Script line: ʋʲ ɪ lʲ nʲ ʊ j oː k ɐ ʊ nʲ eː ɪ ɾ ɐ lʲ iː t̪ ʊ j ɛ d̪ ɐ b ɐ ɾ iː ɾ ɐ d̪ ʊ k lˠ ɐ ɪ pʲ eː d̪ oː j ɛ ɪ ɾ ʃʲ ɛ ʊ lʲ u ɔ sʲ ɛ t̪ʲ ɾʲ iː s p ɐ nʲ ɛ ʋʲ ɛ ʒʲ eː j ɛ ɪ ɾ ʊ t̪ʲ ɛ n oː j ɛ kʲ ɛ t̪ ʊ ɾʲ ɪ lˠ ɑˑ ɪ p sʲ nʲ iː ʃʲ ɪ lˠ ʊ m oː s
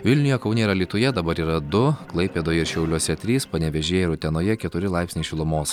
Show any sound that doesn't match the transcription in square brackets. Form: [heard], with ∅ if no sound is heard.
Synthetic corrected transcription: ʋʲ ɪ lʲ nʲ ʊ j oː k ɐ ʊ nʲ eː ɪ ɾ ɐ lʲ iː t̪ ʊ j ɛ d̪ ɐ b ɐ ɾ iː ɾ ɐ d̪ ʊ k lˠ ɐ ɪ pʲ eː d̪ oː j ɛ ɪ ɾ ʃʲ ɛ ʊ lʲ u ɔ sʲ ɛ t̪ʲ ɾʲ iː s p ɐ nʲ ɛ ʋʲ ɛ ʒʲ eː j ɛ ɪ ɾ ʊ t̪ʲ ɛ n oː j ɛ kʲ ɛ t̪ ʊ ɾʲ ɪ lˠ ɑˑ ɪ p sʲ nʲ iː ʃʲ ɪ lˠ ʊ m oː s